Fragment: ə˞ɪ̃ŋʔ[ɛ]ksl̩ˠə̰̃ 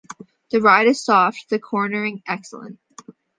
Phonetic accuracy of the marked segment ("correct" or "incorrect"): correct